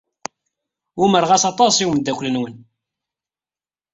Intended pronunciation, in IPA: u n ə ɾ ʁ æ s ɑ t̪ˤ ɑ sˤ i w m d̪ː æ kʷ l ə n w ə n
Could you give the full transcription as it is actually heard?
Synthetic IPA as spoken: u m ə ɾ ʁ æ s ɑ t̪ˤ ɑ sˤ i w m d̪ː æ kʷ l ə n w ə n

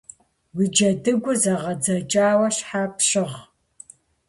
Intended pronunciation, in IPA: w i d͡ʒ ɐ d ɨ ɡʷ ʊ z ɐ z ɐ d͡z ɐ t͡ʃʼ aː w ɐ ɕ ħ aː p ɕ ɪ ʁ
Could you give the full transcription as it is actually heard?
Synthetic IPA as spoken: w i d͡ʒ ɐ d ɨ ɡʷ ʊ z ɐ ʁ ɐ d͡z ɐ t͡ʃʼ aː w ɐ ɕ ħ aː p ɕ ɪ ʁ

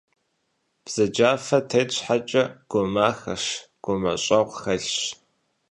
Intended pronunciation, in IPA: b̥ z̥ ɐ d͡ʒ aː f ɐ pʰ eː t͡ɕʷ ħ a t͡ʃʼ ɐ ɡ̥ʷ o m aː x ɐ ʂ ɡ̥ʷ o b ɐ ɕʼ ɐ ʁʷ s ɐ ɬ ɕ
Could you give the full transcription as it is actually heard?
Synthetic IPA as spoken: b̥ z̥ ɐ d͡ʒ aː f ɐ tʰ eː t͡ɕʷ ħ a t͡ʃʼ ɐ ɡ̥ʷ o m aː x ɐ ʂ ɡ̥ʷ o m ɐ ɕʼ ɐ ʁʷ x ɐ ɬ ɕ

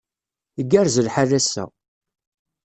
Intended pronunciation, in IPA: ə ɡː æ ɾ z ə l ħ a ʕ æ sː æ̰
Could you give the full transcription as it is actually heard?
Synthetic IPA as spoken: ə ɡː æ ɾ z ə l ħ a ð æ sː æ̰

